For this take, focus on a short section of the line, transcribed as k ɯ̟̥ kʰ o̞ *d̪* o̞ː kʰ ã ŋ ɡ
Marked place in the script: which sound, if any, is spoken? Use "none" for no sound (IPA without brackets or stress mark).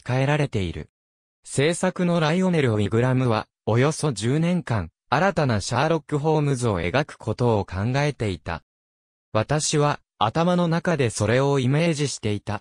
t̪